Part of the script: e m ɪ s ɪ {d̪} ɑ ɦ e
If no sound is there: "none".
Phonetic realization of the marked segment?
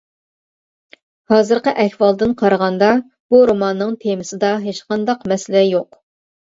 d̪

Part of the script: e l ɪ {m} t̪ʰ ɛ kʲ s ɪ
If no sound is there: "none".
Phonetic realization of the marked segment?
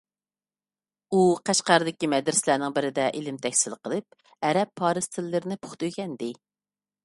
m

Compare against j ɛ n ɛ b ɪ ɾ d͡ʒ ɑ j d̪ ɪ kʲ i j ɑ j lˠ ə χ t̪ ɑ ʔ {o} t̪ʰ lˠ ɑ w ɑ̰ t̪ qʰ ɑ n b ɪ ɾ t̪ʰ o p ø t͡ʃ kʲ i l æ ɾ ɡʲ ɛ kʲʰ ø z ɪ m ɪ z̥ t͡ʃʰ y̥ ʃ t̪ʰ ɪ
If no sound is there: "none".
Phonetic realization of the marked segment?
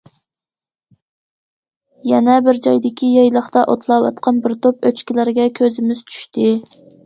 o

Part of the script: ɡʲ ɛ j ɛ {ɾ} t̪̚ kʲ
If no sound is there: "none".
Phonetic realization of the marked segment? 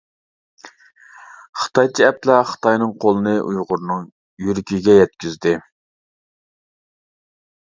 none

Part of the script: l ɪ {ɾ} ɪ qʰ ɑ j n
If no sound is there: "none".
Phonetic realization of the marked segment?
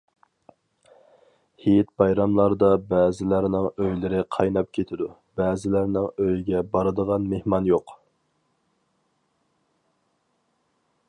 ɾ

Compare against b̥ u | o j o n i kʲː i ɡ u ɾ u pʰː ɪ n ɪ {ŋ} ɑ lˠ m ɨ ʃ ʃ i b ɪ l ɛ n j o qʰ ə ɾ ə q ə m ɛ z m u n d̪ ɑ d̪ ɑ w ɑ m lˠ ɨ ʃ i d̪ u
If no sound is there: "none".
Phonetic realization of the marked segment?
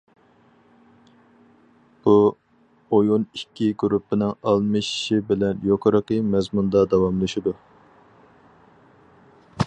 ŋ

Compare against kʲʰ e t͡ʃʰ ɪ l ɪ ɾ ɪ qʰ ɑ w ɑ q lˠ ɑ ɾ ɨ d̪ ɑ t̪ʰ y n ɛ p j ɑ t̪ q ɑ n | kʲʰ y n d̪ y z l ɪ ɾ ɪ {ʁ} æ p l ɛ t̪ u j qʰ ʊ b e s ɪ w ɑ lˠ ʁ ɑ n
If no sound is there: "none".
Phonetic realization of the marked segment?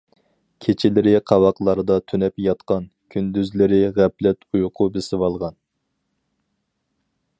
ʁ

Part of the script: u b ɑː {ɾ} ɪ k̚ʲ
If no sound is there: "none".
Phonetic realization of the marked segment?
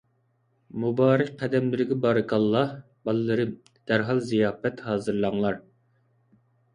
ɾ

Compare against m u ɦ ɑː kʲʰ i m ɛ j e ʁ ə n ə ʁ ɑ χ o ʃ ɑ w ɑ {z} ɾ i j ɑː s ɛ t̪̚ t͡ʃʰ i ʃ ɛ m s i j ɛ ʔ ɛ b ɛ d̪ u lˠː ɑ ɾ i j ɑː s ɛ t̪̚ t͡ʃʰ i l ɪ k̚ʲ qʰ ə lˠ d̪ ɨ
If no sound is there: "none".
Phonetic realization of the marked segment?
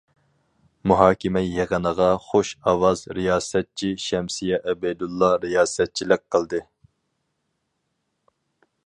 z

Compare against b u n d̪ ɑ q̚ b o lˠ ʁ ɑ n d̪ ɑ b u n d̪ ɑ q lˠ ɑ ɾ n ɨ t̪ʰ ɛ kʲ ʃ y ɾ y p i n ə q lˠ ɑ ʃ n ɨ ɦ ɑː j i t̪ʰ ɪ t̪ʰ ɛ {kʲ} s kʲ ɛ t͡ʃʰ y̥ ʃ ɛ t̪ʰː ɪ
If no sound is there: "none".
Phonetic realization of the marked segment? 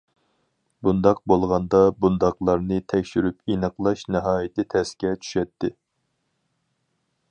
none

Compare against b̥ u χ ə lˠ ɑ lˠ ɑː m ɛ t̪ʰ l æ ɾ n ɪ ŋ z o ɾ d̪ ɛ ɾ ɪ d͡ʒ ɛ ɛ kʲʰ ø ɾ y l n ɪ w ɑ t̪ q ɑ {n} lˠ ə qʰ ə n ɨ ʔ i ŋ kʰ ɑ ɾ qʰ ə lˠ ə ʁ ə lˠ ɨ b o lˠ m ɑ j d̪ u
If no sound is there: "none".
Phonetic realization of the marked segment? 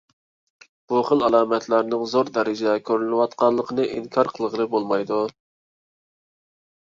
n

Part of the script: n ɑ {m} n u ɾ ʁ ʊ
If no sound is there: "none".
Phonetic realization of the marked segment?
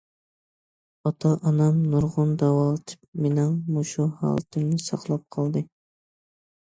m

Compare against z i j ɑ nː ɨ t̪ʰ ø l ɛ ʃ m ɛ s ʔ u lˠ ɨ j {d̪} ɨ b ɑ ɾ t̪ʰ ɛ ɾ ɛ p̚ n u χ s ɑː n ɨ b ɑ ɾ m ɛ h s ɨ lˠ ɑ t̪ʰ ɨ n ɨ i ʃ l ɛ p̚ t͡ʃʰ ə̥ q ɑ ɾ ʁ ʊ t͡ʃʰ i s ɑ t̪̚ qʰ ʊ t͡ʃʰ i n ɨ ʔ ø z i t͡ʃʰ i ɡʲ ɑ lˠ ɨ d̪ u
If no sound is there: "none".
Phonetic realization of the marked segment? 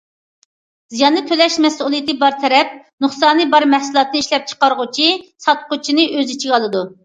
t̪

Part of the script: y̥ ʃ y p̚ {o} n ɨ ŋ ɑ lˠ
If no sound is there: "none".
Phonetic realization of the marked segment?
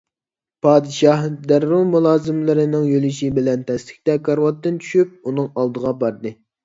u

